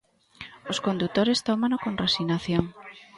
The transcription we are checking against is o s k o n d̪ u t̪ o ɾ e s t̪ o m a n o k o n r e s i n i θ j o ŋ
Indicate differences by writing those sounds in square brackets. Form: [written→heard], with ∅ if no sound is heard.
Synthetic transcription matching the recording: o s k o n d̪ u t̪ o ɾ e s t̪ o m a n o k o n r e s i n [i→a] θ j o ŋ